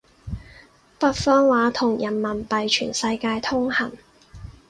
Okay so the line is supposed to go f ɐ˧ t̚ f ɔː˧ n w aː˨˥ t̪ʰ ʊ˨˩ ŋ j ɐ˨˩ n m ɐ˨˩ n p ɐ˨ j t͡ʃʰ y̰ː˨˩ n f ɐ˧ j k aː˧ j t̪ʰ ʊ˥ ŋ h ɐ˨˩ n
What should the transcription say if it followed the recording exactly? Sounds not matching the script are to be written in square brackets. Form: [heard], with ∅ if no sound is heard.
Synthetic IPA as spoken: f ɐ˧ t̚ f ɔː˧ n w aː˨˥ t̪ʰ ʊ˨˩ ŋ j ɐ˨˩ n m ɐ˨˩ n p ɐ˨ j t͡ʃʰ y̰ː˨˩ n [s] ɐ˧ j k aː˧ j t̪ʰ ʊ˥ ŋ h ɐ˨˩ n